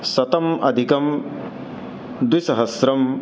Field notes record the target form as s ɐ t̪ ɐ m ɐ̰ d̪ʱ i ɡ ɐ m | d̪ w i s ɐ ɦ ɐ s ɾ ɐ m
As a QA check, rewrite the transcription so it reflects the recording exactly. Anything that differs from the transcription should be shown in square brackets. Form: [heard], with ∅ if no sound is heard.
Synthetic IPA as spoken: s ɐ t̪ ɐ m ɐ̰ d̪ʱ i [k] ɐ m | d̪ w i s ɐ ɦ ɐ s ɾ ɐ m

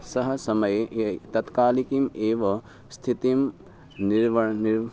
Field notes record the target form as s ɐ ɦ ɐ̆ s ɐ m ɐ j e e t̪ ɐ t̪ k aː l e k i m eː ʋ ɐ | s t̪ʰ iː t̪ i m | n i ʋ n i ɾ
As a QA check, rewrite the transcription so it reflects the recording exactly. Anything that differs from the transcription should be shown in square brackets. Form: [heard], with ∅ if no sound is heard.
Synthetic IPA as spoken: s ɐ ɦ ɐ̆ s ɐ m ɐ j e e t̪ ɐ t̪ k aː l [i] k i m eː ʋ ɐ | s t̪ʰ [i] t̪ i m | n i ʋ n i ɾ

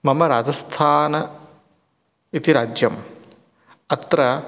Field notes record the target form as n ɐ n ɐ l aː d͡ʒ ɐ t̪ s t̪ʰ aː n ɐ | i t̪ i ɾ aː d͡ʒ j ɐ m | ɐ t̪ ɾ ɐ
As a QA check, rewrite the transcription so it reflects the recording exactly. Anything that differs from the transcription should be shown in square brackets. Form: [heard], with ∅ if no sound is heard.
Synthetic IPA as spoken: [m] ɐ [m] ɐ [ɾ] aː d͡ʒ ɐ [∅] s t̪ʰ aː n ɐ | i t̪ i ɾ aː d͡ʒ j ɐ m | ɐ t̪ ɾ ɐ

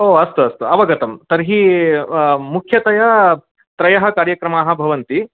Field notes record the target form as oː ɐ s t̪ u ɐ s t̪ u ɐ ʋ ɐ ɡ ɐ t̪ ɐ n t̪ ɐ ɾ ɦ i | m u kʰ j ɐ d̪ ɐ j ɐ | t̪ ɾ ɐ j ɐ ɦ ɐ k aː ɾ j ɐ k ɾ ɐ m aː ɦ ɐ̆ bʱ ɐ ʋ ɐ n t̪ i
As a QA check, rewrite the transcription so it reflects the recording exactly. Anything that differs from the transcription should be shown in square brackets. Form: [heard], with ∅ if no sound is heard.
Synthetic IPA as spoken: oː ɐ s t̪ u ɐ s t̪ u ɐ ʋ ɐ ɡ ɐ t̪ ɐ [m] t̪ ɐ ɾ ɦ i | m u kʰ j ɐ [t̪] ɐ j ɐ | t̪ ɾ ɐ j ɐ ɦ ɐ k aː ɾ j ɐ k ɾ ɐ m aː ɦ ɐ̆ bʱ ɐ ʋ ɐ n t̪ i

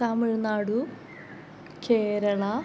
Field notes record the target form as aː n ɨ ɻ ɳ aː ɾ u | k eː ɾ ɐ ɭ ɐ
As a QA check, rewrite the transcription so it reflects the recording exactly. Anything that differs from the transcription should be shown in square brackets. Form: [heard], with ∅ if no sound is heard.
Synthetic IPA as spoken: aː [m] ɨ ɻ [n] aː [ɽ] u | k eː ɾ ɐ ɭ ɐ

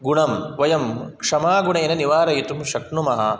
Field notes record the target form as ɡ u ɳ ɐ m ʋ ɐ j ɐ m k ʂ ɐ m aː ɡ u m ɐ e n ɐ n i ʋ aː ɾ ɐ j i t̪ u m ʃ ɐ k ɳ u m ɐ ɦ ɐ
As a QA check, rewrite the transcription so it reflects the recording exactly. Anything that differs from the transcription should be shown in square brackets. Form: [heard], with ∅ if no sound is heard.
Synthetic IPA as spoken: ɡ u ɳ ɐ m ʋ ɐ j ɐ m k ʂ ɐ m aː ɡ u [ɳ] ɐ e n ɐ n i ʋ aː ɾ ɐ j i t̪ u m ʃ ɐ k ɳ u m ɐ ɦ ɐ

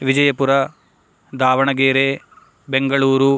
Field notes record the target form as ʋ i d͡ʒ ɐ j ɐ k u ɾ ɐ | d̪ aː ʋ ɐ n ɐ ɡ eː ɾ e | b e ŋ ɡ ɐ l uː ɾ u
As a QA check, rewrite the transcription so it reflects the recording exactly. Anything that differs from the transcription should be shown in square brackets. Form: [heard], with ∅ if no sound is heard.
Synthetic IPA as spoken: ʋ i d͡ʒ ɐ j ɐ [p] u ɾ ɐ | d̪ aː ʋ ɐ [ɳ] ɐ ɡ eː ɾ e | b e ŋ ɡ ɐ [ɭ] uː ɾ u

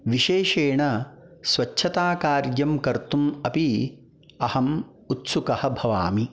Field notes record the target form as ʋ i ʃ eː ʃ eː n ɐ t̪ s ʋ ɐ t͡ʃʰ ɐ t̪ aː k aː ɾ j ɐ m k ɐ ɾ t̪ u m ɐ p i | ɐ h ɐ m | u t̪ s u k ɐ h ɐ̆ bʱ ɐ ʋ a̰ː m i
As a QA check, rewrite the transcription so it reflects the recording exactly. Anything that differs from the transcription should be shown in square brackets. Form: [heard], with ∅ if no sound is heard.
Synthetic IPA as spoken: ʋ i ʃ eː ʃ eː [ɳ] ɐ [∅] s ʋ ɐ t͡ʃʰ ɐ t̪ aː k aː ɾ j ɐ m k ɐ ɾ t̪ u m ɐ p i | ɐ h ɐ m | u t̪ s u k ɐ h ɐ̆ bʱ ɐ ʋ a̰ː m i

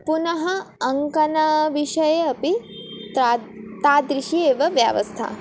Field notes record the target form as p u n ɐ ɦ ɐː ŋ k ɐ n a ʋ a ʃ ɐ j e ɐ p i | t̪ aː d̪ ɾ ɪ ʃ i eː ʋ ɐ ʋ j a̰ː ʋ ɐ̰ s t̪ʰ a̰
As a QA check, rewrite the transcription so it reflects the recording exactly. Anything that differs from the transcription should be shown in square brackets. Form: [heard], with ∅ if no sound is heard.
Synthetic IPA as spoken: p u n ɐ ɦ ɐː ŋ k ɐ n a ʋ [i] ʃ ɐ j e ɐ p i | t̪ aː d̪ ɾ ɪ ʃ i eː ʋ ɐ ʋ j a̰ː ʋ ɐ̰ s t̪ʰ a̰

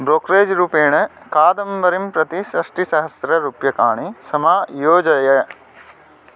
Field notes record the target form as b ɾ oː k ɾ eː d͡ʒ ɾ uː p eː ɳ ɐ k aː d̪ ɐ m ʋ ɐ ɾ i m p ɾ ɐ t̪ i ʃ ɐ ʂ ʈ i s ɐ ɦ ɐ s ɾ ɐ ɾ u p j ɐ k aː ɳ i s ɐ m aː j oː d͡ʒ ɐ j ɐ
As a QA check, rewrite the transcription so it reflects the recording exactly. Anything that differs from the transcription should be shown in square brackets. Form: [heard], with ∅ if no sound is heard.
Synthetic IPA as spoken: b ɾ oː k ɾ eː d͡ʒ ɾ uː p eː ɳ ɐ k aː d̪ ɐ m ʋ ɐ ɾ i m p ɾ ɐ t̪ i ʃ ɐ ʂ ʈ i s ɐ ɦ ɐ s ɾ ɐ ɾ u p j ɐ k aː ɳ i s ɐ m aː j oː d͡ʒ ɐ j ɐ

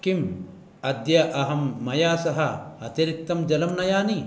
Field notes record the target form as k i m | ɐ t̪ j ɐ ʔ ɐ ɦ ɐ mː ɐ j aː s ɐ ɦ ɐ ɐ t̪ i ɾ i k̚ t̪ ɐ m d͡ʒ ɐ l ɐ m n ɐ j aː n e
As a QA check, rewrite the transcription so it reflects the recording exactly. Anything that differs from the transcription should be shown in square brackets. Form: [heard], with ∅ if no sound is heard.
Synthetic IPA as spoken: k i m | ɐ [d̪] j ɐ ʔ ɐ ɦ ɐ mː ɐ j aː s ɐ ɦ ɐ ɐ t̪ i ɾ i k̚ t̪ ɐ m d͡ʒ ɐ l ɐ m n ɐ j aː n [i]

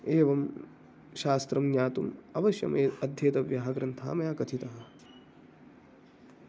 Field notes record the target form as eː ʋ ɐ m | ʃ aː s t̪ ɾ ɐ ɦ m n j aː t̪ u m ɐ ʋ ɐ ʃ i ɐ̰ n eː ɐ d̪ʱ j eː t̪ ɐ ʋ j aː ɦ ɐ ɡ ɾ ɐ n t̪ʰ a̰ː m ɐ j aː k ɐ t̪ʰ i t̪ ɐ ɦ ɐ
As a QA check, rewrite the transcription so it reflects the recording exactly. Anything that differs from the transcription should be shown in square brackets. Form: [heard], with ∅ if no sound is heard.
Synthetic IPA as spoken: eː ʋ ɐ m | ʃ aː s t̪ ɾ ɐ [∅] m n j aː t̪ u m ɐ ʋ ɐ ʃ [j] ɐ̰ [m] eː ɐ d̪ʱ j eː t̪ ɐ ʋ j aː ɦ ɐ ɡ ɾ ɐ n t̪ʰ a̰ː m ɐ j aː k ɐ t̪ʰ i t̪ ɐ ɦ ɐ

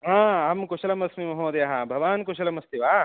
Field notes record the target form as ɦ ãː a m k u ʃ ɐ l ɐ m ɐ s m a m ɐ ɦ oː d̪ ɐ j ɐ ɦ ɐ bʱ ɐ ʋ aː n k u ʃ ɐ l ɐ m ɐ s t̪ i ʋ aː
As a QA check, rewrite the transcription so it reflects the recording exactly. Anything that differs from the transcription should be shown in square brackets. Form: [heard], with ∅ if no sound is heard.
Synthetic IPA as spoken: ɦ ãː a m k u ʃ ɐ l ɐ m ɐ s m [i] m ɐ ɦ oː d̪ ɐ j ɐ ɦ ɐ bʱ ɐ ʋ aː n k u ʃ ɐ l ɐ m ɐ s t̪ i ʋ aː

